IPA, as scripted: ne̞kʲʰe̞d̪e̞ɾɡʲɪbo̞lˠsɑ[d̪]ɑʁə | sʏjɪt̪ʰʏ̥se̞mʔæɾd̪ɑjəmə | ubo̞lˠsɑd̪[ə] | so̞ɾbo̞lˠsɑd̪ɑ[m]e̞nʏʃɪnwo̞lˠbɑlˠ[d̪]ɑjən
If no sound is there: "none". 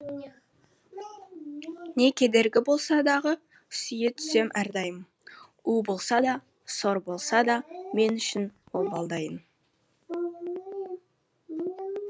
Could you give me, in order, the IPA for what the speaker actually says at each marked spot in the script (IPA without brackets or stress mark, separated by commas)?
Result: d̪, ɑ, m, d̪